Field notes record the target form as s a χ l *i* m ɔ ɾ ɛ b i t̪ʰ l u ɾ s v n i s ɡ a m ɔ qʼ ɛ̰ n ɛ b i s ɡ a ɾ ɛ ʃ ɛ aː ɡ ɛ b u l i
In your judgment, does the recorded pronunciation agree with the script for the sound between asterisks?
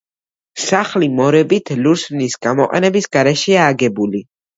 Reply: yes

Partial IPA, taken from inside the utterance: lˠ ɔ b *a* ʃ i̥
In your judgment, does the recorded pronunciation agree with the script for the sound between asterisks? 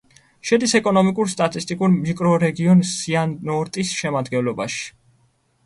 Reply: yes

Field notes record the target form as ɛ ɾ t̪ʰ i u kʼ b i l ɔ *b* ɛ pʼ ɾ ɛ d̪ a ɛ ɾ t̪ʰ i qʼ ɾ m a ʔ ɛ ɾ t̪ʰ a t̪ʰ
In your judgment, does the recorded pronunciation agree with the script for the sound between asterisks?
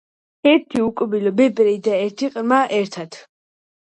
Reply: yes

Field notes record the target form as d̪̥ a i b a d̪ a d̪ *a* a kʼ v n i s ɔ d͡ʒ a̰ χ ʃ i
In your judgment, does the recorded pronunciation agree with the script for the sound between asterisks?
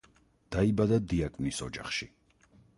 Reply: no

